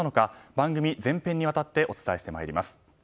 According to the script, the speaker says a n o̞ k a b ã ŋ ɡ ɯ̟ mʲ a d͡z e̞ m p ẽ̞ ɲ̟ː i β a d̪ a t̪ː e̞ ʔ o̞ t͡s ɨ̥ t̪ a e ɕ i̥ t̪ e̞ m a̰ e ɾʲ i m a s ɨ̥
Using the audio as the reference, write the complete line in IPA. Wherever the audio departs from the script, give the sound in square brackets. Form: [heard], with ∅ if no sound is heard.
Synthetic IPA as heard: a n o̞ k a b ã ŋ ɡ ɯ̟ mʲ [i] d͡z [ẽ̞] m p ẽ̞ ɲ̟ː i β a [t̪] a t̪ː e̞ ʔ o̞ t͡s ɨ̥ t̪ a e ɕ i̥ t̪ e̞ m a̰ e ɾʲ i m a s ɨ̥